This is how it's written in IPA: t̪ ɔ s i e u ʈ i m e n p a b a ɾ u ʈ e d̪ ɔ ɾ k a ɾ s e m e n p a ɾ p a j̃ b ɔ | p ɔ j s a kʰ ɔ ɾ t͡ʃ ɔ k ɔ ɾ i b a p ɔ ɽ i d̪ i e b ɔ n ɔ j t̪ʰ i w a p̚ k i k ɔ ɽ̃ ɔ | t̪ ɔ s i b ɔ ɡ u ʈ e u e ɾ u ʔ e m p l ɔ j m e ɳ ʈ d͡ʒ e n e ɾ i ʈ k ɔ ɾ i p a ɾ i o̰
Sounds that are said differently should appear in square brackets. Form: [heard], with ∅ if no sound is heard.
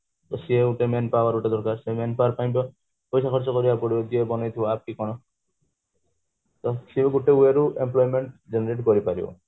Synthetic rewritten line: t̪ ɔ s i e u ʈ [e] m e n p a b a ɾ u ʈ e d̪ ɔ ɾ k a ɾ s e m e n p a ɾ p a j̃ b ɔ | p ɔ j s a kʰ ɔ ɾ t͡ʃ ɔ k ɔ ɾ i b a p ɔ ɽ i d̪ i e b ɔ n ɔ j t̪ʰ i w a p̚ k i k ɔ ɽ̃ ɔ | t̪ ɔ s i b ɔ ɡ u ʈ e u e ɾ u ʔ e m p l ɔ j m e ɳ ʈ d͡ʒ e n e ɾ [e] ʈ k ɔ ɾ i p a ɾ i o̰

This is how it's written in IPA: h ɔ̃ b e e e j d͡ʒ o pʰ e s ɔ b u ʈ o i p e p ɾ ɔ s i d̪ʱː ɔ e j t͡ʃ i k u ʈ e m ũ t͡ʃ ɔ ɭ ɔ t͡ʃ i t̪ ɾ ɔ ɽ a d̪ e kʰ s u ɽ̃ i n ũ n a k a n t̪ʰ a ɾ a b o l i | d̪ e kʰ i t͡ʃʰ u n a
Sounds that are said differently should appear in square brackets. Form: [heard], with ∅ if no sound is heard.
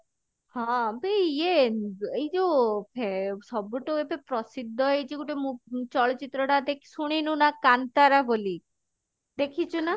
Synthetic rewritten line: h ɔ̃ b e e e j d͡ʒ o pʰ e s ɔ b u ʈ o [e] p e p ɾ ɔ s i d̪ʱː ɔ e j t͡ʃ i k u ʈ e m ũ t͡ʃ ɔ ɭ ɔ t͡ʃ i t̪ ɾ ɔ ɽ a d̪ e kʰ s u ɽ̃ i n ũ n a k a n [t̪] a ɾ a b o l i | d̪ e kʰ i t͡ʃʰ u n a

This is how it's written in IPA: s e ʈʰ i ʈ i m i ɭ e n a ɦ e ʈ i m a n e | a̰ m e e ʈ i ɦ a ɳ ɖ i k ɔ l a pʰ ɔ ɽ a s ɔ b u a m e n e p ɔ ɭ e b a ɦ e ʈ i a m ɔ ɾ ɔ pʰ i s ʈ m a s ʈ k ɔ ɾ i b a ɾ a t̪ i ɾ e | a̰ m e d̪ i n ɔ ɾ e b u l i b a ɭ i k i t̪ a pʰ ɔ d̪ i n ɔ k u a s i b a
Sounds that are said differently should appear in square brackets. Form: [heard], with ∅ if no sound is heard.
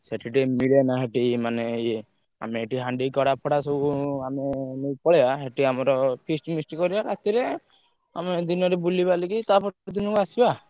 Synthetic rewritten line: s e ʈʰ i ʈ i m i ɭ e n a ɦ e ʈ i m a n e | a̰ m e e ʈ i ɦ a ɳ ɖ i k ɔ [ɽ] a pʰ ɔ ɽ a s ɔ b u a m e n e p ɔ ɭ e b a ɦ e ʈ i a m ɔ ɾ ɔ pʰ i s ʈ m [i] s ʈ k ɔ ɾ i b a ɾ a t̪ i ɾ e | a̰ m e d̪ i n ɔ ɾ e b u l i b a [l] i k i t̪ a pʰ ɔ d̪ i n ɔ k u a s i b a

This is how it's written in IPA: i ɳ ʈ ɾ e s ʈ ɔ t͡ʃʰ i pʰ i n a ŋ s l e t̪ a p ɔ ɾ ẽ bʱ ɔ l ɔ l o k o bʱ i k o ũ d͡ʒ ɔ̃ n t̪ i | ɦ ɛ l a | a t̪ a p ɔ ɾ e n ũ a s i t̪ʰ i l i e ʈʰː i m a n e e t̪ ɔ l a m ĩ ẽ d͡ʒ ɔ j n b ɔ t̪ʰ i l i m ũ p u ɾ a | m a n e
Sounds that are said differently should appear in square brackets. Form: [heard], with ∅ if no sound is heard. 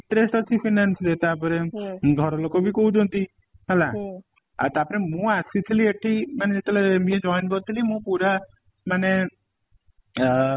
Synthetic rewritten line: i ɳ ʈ ɾ e s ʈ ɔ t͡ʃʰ i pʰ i n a [n] s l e t̪ a p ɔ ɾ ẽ [ɡʱ] ɔ [ɾ] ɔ l o k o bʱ i k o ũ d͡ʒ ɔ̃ n t̪ i | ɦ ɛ l a | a t̪ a p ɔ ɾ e [m] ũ a s i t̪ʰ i l i e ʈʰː i m a n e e t̪ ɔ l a m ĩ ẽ d͡ʒ ɔ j n b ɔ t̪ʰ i l i m ũ p u ɾ a | m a n e

